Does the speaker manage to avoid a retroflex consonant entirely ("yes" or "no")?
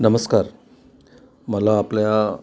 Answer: yes